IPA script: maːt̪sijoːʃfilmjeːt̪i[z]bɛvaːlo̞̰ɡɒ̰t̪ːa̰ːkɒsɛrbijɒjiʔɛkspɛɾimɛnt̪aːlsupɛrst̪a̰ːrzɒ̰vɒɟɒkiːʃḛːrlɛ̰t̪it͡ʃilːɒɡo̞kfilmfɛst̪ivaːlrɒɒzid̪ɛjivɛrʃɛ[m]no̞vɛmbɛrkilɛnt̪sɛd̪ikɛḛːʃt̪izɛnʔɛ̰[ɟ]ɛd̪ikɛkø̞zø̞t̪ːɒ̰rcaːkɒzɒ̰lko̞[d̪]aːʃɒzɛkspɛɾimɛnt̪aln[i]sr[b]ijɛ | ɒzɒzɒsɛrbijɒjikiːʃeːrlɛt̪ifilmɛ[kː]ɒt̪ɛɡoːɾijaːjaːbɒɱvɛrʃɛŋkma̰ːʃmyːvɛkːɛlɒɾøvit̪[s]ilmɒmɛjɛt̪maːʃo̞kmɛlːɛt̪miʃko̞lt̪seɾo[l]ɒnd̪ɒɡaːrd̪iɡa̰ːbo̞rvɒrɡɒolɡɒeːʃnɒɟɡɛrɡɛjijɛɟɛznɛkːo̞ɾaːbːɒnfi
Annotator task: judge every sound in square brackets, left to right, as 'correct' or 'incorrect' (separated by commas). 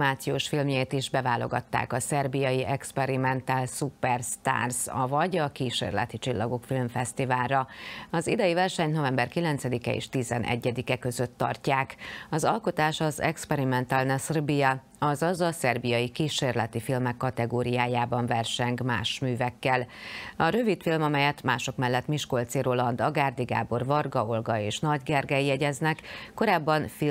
incorrect, incorrect, incorrect, incorrect, incorrect, correct, correct, incorrect, correct